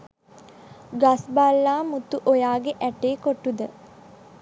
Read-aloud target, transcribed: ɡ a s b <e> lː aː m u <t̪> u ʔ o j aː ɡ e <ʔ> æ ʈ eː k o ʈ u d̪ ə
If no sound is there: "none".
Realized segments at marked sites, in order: a, t̪, ʔ

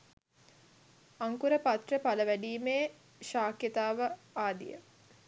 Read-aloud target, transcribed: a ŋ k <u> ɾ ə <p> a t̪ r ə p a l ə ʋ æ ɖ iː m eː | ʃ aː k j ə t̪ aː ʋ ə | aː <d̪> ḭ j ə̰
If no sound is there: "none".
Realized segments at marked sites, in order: u, p, d̪

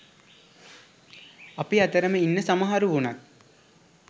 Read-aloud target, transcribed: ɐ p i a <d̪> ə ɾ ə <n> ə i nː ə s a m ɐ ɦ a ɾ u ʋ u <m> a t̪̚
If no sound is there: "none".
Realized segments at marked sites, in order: t̪, m, n

